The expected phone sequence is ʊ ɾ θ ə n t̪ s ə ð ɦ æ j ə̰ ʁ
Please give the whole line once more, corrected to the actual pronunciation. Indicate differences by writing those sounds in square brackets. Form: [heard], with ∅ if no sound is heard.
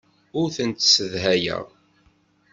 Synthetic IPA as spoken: ʊ ɾ θ ə n t̪ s ə ð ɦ æ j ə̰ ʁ